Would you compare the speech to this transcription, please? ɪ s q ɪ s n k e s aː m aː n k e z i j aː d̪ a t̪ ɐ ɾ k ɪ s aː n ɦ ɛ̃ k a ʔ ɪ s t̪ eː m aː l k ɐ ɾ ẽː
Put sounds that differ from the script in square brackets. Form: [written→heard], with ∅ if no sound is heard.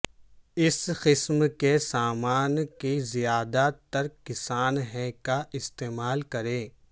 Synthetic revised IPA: ɪ s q ɪ s [n→m] k e s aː m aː n k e z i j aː d̪ a t̪ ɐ ɾ k ɪ s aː n ɦ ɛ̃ k a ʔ ɪ s t̪ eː m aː l k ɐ ɾ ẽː